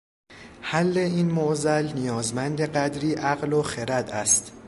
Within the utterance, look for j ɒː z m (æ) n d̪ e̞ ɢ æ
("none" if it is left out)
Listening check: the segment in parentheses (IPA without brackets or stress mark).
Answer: æ